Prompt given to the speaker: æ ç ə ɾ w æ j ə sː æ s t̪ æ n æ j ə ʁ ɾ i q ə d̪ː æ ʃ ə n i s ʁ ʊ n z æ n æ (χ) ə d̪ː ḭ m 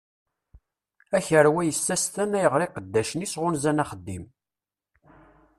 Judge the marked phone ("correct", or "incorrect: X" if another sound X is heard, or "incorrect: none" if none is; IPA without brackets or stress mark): correct